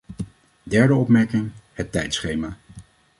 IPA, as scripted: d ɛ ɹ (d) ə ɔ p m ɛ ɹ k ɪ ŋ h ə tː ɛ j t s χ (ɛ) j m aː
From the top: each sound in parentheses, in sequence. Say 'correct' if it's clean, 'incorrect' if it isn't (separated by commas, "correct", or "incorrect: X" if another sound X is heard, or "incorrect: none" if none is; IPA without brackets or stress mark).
correct, incorrect: e